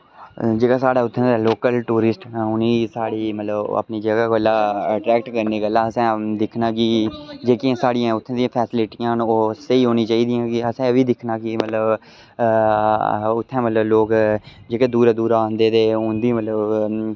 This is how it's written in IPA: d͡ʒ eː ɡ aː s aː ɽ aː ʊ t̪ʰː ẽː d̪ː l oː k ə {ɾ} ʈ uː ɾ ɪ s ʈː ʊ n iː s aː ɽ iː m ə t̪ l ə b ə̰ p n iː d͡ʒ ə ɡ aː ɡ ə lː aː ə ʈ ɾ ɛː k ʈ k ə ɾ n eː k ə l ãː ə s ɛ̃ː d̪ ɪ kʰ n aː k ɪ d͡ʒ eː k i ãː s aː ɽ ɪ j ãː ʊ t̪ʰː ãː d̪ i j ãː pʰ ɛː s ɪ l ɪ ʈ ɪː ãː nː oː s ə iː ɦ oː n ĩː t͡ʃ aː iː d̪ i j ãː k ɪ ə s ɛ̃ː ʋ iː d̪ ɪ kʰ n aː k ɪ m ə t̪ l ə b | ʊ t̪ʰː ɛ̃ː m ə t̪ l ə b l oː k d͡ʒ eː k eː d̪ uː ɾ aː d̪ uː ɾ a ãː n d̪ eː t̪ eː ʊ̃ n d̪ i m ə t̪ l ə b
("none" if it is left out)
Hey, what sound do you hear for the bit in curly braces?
l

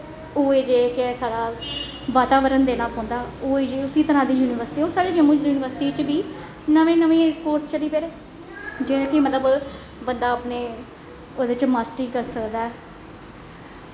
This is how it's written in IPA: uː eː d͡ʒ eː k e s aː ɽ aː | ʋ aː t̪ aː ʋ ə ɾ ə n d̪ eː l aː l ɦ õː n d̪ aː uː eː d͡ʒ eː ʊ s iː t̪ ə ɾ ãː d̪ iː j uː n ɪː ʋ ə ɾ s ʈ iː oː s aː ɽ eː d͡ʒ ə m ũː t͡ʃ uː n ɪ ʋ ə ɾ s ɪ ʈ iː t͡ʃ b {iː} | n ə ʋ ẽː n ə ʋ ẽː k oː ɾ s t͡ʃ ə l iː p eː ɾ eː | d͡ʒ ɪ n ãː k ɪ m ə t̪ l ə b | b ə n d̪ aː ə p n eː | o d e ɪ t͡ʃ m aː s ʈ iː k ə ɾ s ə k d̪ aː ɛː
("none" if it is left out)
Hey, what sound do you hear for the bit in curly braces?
iː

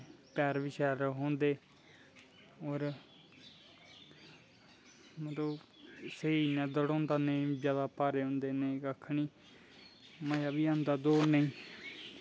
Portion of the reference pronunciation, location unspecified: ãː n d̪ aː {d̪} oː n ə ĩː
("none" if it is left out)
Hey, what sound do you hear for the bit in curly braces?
d̪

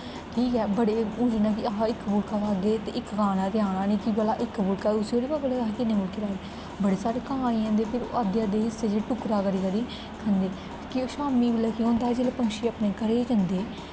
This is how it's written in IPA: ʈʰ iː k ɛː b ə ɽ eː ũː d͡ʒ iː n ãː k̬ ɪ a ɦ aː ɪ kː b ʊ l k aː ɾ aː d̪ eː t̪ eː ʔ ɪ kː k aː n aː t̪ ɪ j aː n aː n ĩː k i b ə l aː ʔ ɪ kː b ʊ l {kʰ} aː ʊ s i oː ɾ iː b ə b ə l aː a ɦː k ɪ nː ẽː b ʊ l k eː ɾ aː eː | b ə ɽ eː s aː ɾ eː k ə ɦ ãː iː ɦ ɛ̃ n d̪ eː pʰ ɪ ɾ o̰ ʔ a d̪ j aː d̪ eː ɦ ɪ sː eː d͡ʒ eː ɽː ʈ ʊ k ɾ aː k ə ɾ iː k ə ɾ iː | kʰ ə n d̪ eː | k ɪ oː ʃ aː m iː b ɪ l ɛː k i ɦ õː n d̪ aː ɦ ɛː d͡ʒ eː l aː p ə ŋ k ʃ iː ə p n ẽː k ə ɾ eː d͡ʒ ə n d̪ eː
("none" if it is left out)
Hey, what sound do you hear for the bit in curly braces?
k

